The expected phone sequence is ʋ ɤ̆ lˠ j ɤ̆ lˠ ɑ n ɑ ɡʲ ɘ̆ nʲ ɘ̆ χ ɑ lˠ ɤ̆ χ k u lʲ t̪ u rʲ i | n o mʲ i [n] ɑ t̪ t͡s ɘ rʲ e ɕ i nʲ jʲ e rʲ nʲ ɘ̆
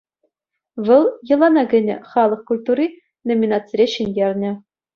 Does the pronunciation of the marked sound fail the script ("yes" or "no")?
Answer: no